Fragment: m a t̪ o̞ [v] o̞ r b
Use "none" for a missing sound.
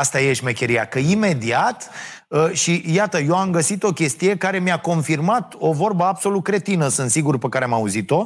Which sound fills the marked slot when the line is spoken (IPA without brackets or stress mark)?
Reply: v